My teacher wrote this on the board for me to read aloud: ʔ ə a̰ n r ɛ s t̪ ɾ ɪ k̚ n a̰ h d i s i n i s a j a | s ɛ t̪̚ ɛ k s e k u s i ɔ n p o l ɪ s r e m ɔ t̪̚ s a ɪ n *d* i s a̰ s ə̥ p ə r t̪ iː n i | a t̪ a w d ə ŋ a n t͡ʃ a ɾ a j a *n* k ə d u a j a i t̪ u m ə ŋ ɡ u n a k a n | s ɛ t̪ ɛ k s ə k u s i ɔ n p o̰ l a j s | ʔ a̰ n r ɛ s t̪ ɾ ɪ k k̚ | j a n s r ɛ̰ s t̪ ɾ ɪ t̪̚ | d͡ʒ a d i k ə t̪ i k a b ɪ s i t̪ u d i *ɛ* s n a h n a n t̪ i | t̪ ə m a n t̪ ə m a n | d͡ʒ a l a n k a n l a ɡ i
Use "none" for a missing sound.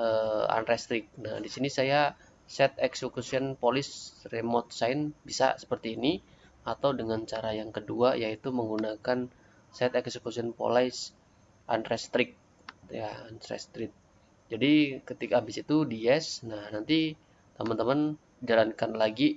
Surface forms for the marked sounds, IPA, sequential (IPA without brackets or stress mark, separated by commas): b, ŋ, ɛ